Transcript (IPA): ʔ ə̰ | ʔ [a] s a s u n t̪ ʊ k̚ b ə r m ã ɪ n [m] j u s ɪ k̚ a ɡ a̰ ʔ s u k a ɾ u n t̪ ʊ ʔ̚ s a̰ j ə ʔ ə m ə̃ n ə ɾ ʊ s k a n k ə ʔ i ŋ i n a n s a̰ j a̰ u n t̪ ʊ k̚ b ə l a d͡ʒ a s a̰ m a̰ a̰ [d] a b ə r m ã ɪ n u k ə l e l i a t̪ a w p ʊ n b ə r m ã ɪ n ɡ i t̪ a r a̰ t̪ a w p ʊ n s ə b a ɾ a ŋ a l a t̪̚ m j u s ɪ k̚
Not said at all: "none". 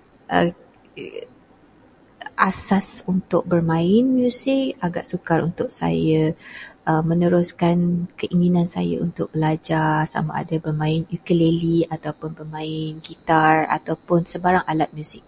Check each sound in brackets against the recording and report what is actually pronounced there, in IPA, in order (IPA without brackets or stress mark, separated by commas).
a, m, d